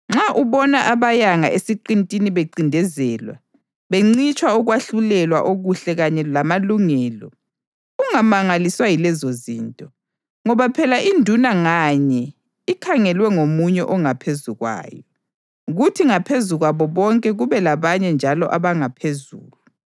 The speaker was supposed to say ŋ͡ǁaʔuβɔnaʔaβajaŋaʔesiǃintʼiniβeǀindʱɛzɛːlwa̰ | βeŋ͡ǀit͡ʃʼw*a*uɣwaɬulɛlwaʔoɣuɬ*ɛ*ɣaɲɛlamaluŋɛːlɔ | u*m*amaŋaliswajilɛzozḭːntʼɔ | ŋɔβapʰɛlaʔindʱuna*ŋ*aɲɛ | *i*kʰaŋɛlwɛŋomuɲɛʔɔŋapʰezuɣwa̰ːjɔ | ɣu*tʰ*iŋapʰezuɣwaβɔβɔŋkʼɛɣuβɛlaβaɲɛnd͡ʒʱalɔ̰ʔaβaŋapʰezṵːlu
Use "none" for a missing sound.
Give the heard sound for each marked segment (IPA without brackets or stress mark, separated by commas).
a, ɛ, ŋ, ŋ, i, tʰ